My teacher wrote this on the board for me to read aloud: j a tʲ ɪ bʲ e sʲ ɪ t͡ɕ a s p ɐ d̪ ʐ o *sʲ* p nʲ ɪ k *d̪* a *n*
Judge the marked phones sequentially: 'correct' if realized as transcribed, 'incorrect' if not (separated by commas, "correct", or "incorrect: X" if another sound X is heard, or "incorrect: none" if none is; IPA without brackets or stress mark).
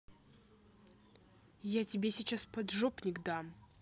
incorrect: none, correct, incorrect: m